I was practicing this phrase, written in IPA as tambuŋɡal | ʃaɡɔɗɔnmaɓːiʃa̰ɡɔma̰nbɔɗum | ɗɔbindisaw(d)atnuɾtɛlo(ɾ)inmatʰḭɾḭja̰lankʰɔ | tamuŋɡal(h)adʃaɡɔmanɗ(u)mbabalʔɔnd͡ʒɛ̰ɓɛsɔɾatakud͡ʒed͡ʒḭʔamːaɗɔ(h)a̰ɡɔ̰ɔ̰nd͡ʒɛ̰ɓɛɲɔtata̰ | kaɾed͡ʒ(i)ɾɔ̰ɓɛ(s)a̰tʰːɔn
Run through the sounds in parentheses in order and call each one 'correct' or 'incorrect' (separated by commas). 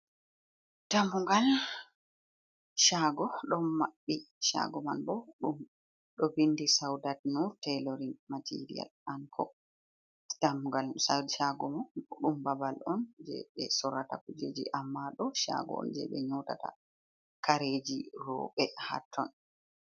correct, correct, incorrect, correct, incorrect, correct, incorrect